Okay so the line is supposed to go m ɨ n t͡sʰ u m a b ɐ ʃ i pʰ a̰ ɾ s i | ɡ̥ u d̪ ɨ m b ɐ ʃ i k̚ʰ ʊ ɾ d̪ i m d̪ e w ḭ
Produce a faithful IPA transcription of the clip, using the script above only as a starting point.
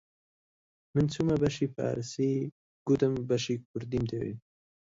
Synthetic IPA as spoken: m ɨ n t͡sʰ u m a b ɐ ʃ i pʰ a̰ ɾ s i | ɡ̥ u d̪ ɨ m b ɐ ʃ i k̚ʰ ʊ ɾ d̪ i m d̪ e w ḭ